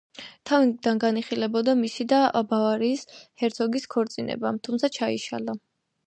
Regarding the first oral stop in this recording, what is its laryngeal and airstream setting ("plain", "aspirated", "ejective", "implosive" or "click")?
aspirated